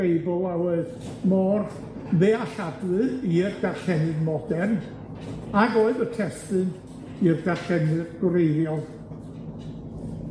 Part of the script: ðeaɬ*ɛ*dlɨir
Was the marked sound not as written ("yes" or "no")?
yes